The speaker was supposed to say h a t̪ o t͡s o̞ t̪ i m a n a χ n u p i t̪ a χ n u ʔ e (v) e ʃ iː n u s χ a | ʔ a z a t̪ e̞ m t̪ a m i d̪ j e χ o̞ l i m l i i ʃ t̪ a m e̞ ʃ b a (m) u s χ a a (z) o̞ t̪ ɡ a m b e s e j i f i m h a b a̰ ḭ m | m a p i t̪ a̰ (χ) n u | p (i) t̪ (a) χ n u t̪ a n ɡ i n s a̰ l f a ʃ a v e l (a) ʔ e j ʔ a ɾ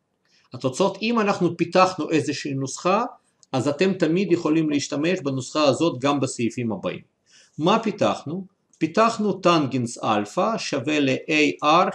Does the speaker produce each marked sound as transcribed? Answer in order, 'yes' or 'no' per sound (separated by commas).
no, no, yes, yes, yes, yes, no